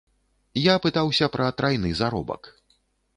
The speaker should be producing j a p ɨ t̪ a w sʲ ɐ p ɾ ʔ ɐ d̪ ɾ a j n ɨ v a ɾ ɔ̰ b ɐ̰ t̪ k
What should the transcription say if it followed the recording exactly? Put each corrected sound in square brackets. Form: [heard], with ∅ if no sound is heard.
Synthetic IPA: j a p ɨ t̪ a w sʲ ɐ p ɾ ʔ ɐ [t̪] ɾ a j n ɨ [z] a ɾ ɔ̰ b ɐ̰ [∅] k